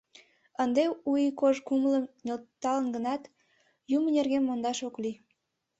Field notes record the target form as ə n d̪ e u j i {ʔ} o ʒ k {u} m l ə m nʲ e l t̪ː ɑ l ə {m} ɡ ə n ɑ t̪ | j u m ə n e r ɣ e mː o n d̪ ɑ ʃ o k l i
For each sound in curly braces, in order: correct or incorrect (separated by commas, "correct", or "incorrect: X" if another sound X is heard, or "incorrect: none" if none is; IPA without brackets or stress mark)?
incorrect: k, correct, incorrect: n